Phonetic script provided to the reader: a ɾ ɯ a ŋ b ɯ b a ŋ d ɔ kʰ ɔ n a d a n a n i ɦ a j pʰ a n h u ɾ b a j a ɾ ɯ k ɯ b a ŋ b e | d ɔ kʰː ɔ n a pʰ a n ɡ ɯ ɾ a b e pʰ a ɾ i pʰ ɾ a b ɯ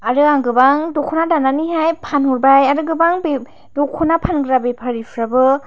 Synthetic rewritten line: a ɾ ɯ a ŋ ɡ ɯ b a ŋ d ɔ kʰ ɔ n a d a n a n i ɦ a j pʰ a n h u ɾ b a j a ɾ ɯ ɡ ɯ b a ŋ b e | d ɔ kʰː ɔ n a pʰ a n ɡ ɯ ɾ a b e pʰ a ɾ i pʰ ɾ a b ɯ